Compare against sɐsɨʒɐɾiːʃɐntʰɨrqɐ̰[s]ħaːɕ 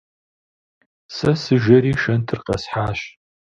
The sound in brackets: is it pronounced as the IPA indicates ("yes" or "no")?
yes